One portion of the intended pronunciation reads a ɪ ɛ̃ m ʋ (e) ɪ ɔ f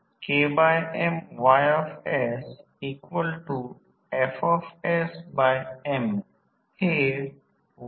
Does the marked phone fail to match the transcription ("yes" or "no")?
yes